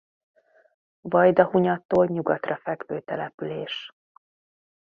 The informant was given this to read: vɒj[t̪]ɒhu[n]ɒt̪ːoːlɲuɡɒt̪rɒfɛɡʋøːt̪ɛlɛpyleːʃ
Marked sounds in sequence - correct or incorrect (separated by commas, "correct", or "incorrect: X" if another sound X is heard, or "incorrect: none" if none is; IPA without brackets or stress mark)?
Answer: incorrect: d̪, incorrect: ɲ